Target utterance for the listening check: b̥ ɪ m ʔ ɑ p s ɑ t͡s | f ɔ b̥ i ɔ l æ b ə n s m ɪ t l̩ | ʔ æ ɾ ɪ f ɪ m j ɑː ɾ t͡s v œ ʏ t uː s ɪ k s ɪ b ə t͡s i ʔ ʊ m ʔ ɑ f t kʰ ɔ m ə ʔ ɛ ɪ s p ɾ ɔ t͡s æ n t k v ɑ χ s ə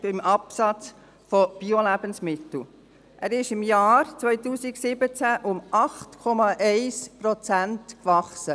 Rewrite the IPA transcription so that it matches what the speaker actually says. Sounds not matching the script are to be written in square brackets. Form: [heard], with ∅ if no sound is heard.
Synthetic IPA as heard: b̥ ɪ m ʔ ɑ p s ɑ t͡s | f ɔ b̥ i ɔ l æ b ə n s m ɪ t l̩ | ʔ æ ɾ ɪ [ʃ] ɪ m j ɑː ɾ t͡s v œ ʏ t uː s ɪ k s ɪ b ə t͡s [æ] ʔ ʊ m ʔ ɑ [χ] t kʰ ɔ m [ɑ] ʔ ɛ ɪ s p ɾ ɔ t͡s æ n t k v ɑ χ s ə

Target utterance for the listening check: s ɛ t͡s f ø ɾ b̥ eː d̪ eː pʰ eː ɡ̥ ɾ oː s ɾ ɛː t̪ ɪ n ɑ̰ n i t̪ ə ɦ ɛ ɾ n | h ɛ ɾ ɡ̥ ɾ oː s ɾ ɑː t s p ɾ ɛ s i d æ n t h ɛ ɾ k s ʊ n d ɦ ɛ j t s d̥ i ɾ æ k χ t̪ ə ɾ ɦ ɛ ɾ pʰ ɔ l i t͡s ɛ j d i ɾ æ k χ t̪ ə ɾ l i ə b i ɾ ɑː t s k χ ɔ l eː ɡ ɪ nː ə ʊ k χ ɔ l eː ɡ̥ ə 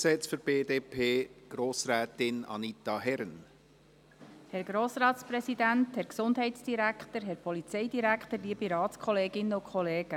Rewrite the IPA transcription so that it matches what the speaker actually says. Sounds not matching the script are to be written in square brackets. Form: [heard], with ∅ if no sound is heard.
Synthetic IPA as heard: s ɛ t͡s f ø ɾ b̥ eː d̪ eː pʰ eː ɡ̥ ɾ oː s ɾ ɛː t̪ ɪ n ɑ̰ n i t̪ [ɑ] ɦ ɛ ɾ n | h ɛ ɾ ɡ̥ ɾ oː s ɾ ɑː t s p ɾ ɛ s i d æ n t h ɛ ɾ k s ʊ n d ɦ ɛ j t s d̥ i ɾ æ k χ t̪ ə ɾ ɦ ɛ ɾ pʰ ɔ l i t͡s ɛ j d i ɾ æ k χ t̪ ə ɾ l i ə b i ɾ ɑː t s k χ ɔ l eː ɡ ɪ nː ə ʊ k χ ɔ l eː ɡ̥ ə

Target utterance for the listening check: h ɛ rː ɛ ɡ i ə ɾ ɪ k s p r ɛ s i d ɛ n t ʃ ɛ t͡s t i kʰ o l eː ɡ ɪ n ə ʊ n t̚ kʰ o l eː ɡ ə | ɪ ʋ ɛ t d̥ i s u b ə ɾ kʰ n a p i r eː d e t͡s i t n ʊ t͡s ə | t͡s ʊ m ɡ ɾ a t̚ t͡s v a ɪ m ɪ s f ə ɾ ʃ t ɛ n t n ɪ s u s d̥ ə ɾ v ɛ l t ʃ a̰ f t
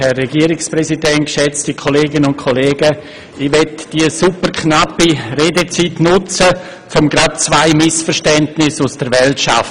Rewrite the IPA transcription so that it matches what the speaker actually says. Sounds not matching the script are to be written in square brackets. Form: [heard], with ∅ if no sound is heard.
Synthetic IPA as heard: h ɛ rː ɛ ɡ i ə ɾ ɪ k s p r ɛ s i d ɛ n t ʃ ɛ t͡s t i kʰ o l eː ɡ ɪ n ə ʊ n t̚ kʰ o l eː ɡ ə | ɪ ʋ ɛ t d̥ i s u [p] ə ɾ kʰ n a p i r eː d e t͡s i t n ʊ t͡s ə | t͡s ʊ m ɡ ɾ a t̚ t͡s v a ɪ m ɪ s f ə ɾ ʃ t ɛ n t n ɪ s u s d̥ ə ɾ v ɛ l t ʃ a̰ f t

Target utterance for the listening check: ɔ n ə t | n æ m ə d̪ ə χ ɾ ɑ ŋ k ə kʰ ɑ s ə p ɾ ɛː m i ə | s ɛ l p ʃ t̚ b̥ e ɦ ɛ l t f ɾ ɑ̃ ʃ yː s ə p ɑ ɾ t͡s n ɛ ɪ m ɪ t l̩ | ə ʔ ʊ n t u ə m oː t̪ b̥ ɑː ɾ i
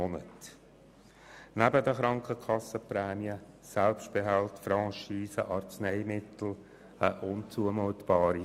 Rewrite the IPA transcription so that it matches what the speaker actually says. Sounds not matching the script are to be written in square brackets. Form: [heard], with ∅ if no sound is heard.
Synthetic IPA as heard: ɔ n ə t | n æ [b] ə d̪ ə χ ɾ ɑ ŋ k ə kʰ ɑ s ə p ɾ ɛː m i ə | s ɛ l p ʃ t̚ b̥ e ɦ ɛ l t f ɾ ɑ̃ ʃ [iː] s ə [ʔ] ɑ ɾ t͡s n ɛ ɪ m ɪ t l̩ | ə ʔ ʊ n [t͡s] u ə m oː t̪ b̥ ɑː ɾ i

